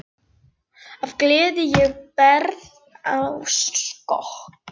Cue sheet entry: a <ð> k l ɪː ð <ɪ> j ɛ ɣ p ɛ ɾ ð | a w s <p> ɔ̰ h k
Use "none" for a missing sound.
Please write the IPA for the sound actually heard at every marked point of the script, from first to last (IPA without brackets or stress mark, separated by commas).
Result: v, ɪ, k